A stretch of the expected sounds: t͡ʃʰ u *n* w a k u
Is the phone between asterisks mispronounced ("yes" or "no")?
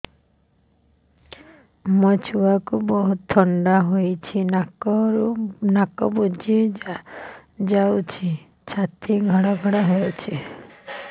yes